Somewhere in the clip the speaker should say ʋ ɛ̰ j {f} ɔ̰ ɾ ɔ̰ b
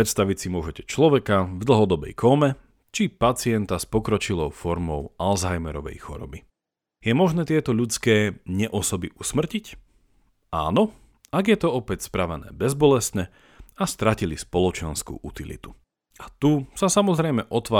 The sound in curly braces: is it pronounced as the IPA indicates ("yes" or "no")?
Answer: no